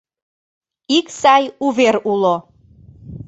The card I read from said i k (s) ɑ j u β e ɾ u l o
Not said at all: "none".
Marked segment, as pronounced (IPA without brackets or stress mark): s